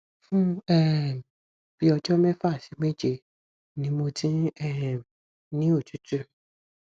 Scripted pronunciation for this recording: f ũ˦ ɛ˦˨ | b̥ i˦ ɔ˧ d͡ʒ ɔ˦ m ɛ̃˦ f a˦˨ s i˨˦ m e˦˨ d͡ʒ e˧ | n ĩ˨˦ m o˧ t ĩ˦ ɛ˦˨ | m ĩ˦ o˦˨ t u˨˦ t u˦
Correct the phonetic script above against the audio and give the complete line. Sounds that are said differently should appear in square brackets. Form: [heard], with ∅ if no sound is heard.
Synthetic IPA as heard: f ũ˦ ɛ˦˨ | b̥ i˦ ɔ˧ d͡ʒ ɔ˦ m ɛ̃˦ f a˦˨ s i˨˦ m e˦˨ d͡ʒ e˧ | n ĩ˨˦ m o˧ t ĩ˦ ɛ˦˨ | [n] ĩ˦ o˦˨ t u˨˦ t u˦